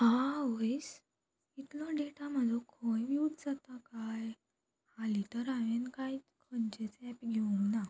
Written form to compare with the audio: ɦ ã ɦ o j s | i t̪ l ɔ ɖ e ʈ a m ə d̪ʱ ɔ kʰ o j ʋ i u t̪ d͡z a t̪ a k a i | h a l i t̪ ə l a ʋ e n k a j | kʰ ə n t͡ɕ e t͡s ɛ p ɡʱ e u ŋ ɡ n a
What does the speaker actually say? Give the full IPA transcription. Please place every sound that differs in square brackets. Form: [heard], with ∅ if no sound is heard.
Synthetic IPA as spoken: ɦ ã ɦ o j s | i t̪ l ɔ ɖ e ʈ a m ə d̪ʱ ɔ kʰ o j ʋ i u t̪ d͡z a t̪ a k a [j] | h a l i t̪ ə [ɾ] a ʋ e n k a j | kʰ ə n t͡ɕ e t͡s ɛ p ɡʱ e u ŋ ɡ n a